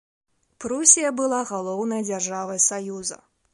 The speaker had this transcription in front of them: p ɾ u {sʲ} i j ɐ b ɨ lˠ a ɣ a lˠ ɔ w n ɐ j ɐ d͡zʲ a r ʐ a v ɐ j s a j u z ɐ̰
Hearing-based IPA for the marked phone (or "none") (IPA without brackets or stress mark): sʲ